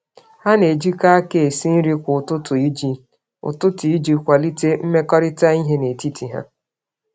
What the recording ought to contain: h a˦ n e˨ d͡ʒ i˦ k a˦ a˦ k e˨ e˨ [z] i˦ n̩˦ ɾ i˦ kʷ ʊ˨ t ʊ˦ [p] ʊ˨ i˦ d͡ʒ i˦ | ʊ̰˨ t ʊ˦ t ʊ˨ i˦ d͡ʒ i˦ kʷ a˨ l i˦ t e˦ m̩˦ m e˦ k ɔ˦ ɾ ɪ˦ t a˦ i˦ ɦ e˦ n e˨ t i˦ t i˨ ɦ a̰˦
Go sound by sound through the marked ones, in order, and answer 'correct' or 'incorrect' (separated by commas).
incorrect, incorrect